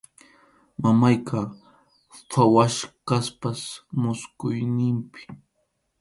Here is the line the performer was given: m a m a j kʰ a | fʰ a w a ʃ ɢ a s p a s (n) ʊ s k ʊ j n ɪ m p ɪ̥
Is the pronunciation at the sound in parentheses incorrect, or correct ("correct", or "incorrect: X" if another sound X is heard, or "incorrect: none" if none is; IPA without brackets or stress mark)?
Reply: incorrect: m